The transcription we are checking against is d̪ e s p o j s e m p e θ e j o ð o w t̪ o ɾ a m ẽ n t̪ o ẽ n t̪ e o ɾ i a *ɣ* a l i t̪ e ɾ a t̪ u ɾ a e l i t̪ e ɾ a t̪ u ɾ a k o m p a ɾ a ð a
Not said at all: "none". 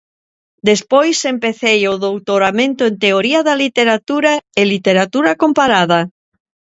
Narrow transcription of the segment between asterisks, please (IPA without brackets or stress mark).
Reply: ð